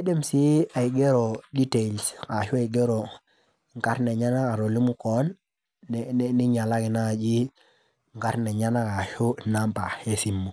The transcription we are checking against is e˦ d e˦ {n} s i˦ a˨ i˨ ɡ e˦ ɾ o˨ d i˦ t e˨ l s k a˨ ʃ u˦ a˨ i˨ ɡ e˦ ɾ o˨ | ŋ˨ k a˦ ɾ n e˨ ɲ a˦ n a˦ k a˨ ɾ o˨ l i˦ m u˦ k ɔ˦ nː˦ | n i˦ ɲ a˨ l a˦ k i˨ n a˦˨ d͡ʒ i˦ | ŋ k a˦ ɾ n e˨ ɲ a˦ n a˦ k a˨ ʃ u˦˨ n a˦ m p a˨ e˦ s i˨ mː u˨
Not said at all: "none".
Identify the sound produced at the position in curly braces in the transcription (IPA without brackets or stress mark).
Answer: m